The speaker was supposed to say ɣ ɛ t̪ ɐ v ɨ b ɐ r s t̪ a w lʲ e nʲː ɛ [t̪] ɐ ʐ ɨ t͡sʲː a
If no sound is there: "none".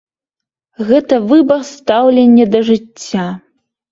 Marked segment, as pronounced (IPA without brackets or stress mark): d̪